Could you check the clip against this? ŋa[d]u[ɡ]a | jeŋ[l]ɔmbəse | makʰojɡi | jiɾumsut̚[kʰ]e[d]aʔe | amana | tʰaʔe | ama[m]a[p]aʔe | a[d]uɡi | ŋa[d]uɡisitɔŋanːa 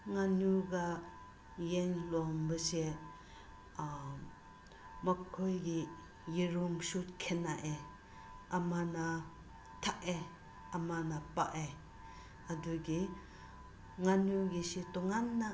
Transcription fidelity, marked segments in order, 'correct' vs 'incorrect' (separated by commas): incorrect, correct, correct, correct, incorrect, incorrect, correct, correct, incorrect